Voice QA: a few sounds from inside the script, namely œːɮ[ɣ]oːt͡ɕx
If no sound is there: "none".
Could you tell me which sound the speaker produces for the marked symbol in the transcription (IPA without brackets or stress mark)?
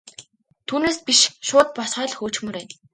x